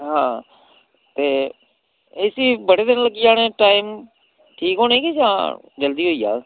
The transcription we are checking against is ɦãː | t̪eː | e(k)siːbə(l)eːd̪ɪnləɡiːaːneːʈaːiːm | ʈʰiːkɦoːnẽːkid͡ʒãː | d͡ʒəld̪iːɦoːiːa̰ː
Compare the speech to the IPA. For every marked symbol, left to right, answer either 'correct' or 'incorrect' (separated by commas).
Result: incorrect, incorrect